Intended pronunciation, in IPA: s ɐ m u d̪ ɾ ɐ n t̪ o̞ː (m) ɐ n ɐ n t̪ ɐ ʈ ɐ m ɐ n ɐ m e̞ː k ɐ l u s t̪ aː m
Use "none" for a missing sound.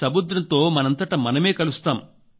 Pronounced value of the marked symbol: m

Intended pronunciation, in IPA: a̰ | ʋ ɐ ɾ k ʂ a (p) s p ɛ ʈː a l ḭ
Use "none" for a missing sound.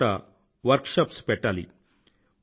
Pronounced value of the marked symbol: p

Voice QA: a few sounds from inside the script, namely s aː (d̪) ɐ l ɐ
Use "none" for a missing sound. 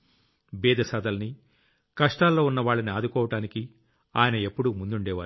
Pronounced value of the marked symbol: d̪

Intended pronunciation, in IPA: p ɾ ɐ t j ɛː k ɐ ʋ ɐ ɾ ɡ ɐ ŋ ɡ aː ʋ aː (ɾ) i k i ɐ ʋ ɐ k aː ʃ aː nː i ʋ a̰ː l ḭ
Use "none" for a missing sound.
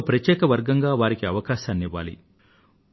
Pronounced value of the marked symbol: ɾ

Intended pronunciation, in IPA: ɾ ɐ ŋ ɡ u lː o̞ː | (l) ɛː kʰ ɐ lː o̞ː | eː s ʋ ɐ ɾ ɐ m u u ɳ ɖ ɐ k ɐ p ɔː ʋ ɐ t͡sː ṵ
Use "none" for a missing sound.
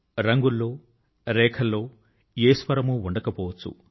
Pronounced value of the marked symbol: ɾ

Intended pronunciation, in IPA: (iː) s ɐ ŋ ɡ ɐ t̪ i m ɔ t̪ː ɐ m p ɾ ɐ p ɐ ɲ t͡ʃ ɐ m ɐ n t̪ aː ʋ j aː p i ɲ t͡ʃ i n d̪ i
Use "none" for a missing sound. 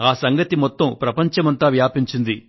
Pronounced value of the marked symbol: aː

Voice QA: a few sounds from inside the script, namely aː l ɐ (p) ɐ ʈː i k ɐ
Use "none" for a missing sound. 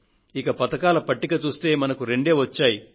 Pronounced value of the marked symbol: p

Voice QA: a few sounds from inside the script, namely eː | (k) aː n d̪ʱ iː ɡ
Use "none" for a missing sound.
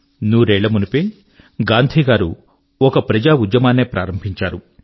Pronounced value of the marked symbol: ɡ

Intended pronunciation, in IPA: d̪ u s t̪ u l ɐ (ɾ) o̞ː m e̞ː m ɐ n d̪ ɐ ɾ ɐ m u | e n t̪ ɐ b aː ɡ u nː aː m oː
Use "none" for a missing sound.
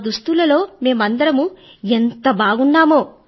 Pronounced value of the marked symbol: l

